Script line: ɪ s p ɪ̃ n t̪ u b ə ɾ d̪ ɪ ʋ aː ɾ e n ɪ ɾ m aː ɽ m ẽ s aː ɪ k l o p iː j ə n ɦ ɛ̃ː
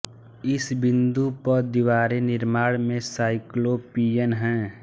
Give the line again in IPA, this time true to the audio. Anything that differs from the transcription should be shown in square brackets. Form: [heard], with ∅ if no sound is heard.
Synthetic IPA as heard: ɪ s [b] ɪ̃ n [d̪] u [p] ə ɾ d̪ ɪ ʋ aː ɾ e n ɪ ɾ m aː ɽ m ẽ s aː ɪ k l o p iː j ə n ɦ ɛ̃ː